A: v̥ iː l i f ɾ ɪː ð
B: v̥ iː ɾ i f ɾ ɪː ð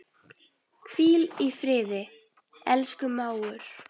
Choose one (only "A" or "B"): A